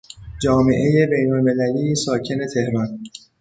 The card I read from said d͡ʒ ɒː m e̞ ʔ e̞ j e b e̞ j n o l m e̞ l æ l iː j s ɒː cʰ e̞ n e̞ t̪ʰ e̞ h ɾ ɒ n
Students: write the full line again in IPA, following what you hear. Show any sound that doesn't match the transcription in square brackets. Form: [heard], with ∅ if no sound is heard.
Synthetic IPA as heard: d͡ʒ ɒː m e̞ ʔ e̞ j e b e̞ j n o l m e̞ l æ l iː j s ɒː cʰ e̞ n e̞ t̪ʰ e̞ h ɾ ɒ n

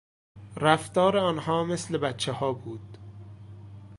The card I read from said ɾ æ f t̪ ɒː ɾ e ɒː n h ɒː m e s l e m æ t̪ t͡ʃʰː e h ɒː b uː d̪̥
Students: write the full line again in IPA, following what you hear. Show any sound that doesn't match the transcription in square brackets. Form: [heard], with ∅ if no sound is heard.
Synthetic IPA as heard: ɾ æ f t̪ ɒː ɾ e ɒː n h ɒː m e s l e [b] æ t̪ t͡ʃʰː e h ɒː b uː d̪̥

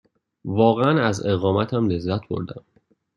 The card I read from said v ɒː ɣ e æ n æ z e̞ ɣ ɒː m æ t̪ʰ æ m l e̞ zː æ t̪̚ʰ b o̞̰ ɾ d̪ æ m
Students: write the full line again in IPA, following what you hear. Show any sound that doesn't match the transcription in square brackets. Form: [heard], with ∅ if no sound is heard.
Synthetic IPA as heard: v ɒː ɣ e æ n æ z e̞ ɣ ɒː m æ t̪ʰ æ m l e̞ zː æ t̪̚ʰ b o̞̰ ɾ d̪ æ m

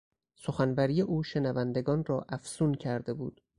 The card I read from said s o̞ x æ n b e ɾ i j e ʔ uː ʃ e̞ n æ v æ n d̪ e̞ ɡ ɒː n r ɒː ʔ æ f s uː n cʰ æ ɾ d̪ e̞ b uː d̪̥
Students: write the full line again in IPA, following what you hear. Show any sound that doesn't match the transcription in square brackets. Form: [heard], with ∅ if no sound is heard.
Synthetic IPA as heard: s o̞ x æ n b [æ] ɾ i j e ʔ uː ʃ e̞ n æ v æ n d̪ e̞ ɡ ɒː n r ɒː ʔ æ f s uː n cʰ æ ɾ d̪ e̞ b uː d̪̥

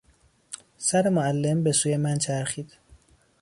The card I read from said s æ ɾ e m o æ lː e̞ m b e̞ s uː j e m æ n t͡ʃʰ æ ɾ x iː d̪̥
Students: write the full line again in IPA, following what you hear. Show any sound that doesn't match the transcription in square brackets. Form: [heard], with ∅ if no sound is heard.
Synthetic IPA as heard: s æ ɾ e m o æ lː e̞ m b e̞ s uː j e m æ n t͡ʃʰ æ ɾ x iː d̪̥

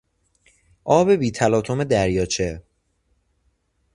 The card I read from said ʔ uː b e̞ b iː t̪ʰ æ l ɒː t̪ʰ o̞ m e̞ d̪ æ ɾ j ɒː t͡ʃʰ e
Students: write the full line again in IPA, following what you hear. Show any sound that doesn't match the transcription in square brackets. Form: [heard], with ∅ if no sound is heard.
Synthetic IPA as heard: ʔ [ɒː] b e̞ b iː t̪ʰ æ l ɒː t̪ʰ o̞ m e̞ d̪ æ ɾ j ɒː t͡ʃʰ e

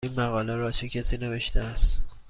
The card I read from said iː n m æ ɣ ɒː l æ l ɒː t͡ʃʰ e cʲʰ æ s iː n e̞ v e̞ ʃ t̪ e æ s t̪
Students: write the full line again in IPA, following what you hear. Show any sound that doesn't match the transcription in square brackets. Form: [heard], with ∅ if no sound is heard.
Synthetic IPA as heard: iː n m æ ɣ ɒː l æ [ɾ] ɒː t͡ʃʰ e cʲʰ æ s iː n e̞ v e̞ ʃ t̪ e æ s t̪

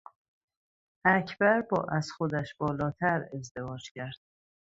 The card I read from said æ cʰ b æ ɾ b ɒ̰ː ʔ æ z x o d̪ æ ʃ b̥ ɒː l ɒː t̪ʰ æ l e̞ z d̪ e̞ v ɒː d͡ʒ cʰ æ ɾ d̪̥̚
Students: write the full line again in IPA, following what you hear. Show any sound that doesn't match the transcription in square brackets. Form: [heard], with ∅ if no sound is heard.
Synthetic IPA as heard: æ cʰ b æ ɾ b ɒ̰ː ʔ æ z x o d̪ æ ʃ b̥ ɒː l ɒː t̪ʰ æ [ɾ] e̞ z d̪ e̞ v ɒː d͡ʒ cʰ æ ɾ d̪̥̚

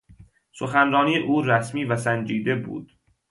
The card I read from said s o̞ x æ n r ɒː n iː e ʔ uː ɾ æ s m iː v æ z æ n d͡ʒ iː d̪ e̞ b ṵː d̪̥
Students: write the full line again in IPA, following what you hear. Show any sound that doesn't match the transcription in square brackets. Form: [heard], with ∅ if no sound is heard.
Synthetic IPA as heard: s o̞ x æ n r ɒː n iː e ʔ uː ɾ æ s m iː v æ [s] æ n d͡ʒ iː d̪ e̞ b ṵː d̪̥

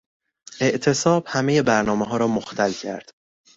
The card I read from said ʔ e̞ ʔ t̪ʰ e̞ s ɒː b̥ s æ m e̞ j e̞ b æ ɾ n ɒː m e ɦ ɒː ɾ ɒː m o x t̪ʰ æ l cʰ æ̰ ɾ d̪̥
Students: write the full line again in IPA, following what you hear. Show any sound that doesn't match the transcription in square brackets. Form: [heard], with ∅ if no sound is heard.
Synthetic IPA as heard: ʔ e̞ ʔ t̪ʰ e̞ s ɒː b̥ [h] æ m e̞ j e̞ b æ ɾ n ɒː m e ɦ ɒː ɾ ɒː m o x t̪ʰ æ l cʰ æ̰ ɾ d̪̥

